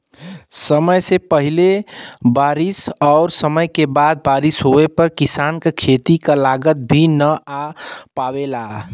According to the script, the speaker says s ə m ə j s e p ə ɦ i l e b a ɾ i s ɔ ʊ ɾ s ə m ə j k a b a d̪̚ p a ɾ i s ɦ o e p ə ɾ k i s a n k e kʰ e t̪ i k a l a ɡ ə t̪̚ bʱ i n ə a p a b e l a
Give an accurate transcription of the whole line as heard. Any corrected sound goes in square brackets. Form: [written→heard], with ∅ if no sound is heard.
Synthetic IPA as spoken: s ə m ə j s e p ə ɦ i l e b a ɾ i s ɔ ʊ ɾ s ə m ə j k [a→e] b a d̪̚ [p→b] a ɾ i s ɦ o e p ə ɾ k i s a n k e kʰ e t̪ i k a l a ɡ ə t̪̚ bʱ i n ə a p a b e l a